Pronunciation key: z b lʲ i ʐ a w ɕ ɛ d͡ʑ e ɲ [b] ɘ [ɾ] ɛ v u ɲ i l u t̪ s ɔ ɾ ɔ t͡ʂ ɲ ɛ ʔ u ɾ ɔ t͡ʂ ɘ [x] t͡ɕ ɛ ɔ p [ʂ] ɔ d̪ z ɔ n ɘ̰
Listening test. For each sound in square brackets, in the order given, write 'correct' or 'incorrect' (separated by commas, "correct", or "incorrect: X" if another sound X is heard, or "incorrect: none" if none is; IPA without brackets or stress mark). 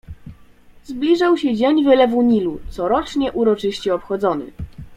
incorrect: v, incorrect: l, incorrect: ɕ, incorrect: x